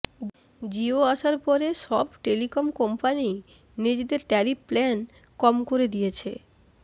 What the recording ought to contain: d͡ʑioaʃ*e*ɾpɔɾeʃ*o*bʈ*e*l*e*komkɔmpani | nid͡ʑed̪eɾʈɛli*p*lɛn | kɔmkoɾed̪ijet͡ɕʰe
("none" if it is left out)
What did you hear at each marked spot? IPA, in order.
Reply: a, ɔ, e, i, p

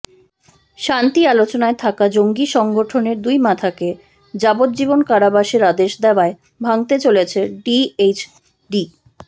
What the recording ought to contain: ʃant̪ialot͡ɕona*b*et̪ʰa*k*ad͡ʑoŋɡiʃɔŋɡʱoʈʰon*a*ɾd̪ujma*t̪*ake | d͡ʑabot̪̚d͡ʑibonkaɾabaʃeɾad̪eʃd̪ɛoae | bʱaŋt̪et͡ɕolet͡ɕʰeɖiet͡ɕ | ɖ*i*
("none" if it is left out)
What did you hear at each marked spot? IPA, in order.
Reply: none, k, e, t̪ʰ, i

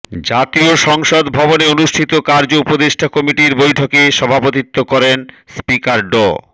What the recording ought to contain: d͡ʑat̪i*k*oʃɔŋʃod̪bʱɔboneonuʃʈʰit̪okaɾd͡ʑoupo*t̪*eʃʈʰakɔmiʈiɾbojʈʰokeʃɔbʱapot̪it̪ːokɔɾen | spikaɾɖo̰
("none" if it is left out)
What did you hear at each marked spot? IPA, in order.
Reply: none, d̪

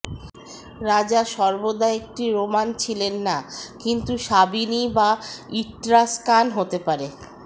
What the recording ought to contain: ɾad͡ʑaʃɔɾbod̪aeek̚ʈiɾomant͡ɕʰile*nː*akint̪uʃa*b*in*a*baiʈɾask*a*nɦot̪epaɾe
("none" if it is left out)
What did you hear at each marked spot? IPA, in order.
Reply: nː, b, i, a

